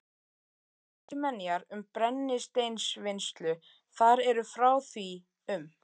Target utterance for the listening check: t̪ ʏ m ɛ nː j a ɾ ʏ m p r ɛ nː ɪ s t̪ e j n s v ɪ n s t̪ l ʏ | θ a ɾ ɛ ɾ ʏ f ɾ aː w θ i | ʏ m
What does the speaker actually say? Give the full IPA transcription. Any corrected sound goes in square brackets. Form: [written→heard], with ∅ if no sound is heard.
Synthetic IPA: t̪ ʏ m ɛ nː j a ɾ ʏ m p [r→ɾ] ɛ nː ɪ s t̪ e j n s v ɪ n s t̪ l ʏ | θ a ɾ ɛ ɾ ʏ f ɾ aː w θ i | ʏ m